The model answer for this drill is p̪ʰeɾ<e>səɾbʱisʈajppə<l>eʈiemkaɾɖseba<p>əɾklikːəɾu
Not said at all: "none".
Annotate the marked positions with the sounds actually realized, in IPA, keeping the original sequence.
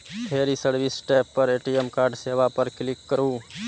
i, ɾ, p

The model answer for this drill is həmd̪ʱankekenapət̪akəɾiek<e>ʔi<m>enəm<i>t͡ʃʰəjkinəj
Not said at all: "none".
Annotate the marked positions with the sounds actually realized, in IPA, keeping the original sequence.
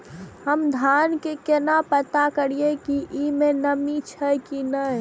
i, m, i

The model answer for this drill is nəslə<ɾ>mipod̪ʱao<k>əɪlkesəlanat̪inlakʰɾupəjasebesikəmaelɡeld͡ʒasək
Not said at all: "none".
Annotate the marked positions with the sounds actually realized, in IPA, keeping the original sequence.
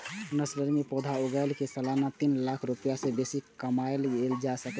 ɾ, ɡ

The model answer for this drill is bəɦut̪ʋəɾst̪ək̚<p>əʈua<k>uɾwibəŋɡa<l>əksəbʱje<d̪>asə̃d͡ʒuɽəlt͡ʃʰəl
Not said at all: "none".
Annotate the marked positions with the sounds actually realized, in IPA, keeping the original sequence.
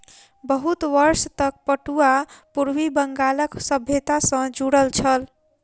p, p, l, t̪

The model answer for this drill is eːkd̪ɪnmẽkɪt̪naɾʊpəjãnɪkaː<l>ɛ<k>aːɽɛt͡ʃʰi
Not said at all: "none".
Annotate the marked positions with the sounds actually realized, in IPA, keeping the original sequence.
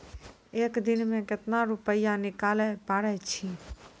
l, p

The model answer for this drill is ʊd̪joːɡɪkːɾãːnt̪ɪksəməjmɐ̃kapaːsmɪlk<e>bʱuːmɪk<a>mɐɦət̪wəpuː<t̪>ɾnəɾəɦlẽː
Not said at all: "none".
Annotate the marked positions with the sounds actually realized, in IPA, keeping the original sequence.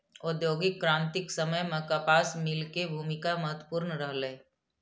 e, a, none

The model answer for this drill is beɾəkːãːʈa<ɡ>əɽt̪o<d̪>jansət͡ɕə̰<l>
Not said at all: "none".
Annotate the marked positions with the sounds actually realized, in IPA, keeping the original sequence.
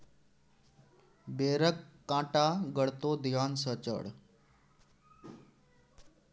ɡ, d̪, ɽ

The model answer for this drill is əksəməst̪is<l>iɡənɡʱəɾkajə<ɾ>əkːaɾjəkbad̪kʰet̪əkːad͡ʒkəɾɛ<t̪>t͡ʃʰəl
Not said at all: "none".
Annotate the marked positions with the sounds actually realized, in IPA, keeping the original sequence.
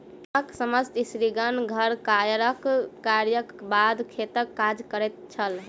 ɾ, ɾ, t̪

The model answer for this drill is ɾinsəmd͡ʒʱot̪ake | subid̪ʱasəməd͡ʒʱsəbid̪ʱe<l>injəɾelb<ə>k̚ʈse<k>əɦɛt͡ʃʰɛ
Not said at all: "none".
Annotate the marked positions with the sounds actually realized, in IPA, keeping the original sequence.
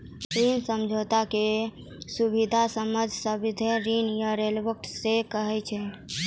ɾ, ə, k

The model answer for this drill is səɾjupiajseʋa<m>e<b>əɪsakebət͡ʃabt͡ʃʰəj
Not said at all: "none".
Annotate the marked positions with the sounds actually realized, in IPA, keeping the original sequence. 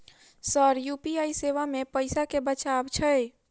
m, p

